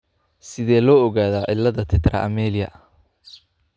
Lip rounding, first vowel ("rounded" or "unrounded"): unrounded